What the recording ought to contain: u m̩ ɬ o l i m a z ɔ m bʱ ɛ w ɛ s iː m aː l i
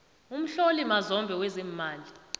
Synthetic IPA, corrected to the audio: u m̩ ɬ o l i m a z ɔ m bʱ ɛ w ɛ z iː m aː l i